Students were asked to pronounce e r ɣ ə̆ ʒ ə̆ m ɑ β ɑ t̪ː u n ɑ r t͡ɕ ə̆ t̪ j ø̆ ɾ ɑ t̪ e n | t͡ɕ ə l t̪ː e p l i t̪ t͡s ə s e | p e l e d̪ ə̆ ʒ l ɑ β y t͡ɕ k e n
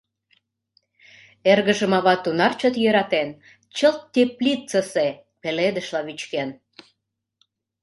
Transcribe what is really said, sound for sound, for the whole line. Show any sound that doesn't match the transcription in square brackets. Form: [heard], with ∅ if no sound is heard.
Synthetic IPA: e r ɣ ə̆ ʒ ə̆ m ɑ β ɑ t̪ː u n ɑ r t͡ɕ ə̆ t̪ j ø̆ ɾ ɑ t̪ e n | t͡ɕ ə l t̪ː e p l i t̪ t͡s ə s e | p e l e d̪ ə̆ [ʃ] l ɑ β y t͡ɕ k e n